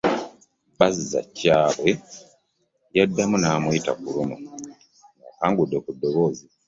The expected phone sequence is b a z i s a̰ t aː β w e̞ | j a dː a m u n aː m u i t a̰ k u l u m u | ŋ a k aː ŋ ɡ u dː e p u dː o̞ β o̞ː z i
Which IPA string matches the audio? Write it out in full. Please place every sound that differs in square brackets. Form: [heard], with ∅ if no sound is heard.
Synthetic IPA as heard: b a z i [z] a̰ [c] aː β w e̞ | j a dː a m u n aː m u i t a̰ k u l u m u | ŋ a k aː ŋ ɡ u dː e [k] u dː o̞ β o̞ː z i